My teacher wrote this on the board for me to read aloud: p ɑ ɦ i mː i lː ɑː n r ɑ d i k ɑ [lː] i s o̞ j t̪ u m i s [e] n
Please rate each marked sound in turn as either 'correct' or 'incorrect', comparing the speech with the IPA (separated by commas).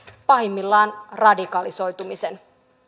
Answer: incorrect, correct